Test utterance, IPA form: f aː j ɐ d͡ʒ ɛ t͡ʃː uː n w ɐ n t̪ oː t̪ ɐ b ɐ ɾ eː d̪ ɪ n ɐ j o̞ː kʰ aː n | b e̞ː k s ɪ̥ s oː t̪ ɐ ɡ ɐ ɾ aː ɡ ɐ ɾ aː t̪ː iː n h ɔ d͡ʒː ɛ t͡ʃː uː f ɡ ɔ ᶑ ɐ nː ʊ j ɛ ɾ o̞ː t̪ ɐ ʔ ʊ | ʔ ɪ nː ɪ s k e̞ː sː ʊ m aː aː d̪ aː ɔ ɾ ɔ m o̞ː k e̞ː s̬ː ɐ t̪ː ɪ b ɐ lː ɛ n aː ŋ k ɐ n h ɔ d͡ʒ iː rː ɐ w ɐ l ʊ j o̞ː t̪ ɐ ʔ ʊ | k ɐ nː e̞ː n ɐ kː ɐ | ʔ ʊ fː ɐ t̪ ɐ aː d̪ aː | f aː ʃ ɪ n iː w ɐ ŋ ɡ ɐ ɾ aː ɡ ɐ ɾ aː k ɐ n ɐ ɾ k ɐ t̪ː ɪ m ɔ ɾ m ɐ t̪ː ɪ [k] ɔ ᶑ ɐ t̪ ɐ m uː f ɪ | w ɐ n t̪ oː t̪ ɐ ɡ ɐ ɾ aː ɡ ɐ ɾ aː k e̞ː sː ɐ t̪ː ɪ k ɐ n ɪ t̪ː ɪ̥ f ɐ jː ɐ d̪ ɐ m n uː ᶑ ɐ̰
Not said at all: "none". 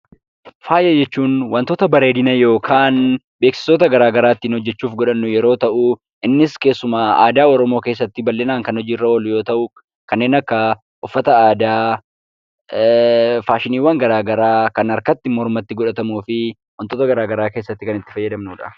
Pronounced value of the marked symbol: ɡ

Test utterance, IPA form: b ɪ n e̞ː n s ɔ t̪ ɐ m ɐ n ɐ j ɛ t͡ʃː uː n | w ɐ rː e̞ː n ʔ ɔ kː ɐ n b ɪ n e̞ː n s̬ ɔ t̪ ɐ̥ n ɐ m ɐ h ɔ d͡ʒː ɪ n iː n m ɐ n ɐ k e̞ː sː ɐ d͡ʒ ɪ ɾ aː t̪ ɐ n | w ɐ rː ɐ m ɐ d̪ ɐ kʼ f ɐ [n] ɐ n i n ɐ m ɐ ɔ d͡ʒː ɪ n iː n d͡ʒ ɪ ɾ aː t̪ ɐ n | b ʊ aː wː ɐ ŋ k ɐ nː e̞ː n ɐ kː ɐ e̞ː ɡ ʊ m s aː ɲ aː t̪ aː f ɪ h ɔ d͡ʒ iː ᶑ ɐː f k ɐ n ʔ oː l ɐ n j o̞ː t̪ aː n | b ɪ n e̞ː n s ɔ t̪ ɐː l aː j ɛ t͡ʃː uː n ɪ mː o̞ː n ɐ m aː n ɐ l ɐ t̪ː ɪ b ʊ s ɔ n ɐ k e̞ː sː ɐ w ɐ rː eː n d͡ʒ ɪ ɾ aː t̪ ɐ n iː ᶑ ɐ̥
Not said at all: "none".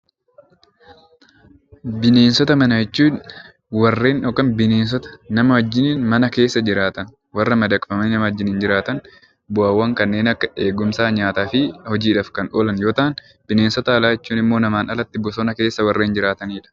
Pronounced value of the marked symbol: m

